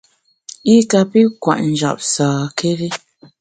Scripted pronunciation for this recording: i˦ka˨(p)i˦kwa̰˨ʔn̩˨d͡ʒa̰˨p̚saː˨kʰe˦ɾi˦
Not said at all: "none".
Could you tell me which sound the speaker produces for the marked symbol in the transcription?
p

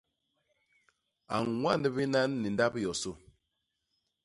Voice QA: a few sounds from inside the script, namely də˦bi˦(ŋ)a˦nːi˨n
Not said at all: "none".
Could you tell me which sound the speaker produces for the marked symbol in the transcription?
n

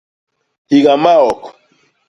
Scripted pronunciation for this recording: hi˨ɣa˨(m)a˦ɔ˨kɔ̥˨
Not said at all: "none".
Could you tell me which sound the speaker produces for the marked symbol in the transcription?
m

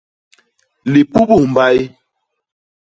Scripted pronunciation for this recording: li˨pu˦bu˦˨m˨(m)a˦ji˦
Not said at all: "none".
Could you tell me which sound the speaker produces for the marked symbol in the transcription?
b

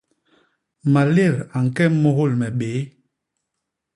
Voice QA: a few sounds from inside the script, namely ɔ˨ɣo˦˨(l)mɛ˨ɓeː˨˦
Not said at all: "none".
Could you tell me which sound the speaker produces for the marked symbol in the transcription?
l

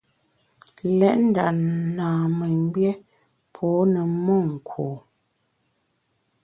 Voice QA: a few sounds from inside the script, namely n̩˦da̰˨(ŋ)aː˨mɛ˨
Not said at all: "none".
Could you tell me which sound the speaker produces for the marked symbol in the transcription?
n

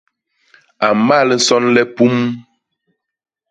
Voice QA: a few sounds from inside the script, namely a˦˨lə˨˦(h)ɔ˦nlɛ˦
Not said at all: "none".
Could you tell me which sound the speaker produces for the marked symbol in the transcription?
s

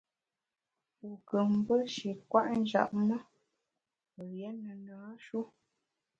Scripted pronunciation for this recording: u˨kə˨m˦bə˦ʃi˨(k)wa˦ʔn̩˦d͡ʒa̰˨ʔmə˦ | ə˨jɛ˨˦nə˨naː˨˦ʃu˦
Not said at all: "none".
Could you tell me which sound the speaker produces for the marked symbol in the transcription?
k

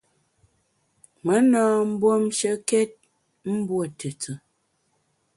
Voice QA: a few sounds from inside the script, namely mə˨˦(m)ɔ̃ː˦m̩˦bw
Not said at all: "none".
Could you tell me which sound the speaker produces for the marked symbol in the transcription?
n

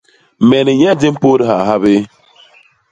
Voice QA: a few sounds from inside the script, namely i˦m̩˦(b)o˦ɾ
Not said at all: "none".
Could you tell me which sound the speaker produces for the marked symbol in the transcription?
p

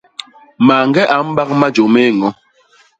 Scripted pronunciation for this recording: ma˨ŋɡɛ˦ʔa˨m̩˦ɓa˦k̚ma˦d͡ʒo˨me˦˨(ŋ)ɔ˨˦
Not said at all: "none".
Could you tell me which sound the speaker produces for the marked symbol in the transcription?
ŋ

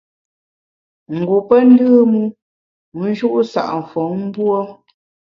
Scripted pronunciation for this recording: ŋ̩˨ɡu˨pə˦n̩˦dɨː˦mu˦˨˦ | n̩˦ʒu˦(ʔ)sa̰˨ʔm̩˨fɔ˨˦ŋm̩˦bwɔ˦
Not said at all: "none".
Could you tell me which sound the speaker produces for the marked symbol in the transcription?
ʔ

